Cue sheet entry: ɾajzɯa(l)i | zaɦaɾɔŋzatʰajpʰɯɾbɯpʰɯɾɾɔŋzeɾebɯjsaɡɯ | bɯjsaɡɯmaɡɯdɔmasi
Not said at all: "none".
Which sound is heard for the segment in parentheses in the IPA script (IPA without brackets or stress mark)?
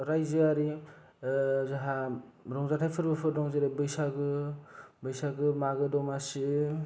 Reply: ɾ